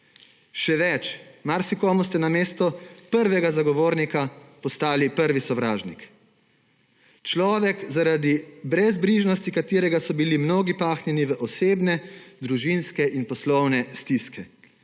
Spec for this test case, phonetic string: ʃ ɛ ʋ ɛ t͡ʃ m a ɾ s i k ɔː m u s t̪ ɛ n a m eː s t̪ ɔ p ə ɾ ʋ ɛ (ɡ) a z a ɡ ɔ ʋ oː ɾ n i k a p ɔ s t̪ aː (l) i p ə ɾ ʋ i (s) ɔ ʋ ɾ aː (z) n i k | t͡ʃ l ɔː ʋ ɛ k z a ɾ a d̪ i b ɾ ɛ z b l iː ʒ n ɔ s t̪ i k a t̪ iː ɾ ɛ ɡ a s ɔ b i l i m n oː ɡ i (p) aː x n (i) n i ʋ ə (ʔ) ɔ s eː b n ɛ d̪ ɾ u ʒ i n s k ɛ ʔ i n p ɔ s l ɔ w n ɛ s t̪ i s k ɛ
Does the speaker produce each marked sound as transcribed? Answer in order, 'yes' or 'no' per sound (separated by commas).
yes, yes, yes, no, yes, no, yes